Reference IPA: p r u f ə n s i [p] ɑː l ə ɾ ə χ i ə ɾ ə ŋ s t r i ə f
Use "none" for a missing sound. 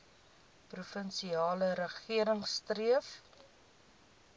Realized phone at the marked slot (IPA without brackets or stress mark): none